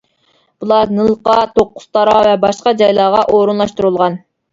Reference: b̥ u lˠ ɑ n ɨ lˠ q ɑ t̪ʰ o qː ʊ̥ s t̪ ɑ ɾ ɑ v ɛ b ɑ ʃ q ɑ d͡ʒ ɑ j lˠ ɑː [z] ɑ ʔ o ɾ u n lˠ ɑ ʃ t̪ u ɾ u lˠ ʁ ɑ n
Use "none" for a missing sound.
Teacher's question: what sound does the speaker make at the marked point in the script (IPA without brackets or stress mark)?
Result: ʁ